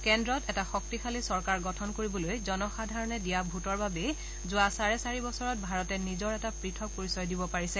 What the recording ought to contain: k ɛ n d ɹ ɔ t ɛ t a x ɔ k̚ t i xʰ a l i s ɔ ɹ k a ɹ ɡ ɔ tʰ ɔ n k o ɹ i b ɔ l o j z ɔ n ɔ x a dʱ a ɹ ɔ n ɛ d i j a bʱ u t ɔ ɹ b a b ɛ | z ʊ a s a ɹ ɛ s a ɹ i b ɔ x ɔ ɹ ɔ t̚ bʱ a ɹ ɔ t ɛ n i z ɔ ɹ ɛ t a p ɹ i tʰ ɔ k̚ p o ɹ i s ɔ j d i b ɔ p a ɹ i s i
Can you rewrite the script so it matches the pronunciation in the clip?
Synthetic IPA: k ɛ n d ɹ ɔ t ɛ t a x ɔ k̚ t i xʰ a l i s ɔ ɹ k a ɹ ɡ ɔ tʰ ɔ n k o ɹ i b ɔ l o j z ɔ n ɔ x a dʱ a ɹ ɔ n ɛ d i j a bʱ u t ɔ ɹ b a b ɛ | z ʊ a s a ɹ ɛ s a ɹ i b ɔ s ɔ ɹ ɔ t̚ bʱ a ɹ ɔ t ɛ n i z ɔ ɹ ɛ t a p ɹ i tʰ ɔ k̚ p o ɹ i s ɔ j d i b ɔ p a ɹ i s ɛ